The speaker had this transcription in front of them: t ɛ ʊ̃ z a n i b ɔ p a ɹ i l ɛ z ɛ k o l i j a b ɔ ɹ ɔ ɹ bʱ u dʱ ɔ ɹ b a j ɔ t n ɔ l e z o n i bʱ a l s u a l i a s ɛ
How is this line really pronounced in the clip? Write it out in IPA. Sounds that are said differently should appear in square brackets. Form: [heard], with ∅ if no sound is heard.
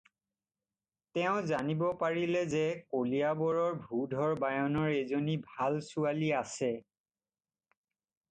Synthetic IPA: t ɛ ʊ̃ z a n i b ɔ p a ɹ i l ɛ z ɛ k o l i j a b ɔ ɹ ɔ ɹ bʱ u dʱ ɔ ɹ b a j ɔ [∅] n ɔ [ɹ] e z o n i bʱ a l s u a l i a s ɛ